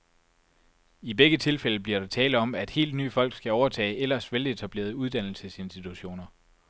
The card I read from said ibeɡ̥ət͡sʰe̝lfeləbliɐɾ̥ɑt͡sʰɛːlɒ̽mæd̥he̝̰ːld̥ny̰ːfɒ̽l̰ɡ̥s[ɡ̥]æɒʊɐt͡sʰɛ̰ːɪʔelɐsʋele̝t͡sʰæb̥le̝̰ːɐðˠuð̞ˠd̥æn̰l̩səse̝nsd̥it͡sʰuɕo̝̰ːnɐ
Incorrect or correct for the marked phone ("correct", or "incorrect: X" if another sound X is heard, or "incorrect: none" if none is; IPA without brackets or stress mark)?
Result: correct